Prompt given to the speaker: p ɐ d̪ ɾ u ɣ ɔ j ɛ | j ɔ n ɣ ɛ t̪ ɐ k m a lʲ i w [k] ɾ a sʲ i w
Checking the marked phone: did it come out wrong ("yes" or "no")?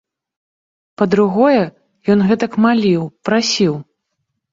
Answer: yes